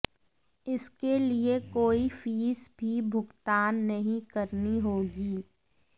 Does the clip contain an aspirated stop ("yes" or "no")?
no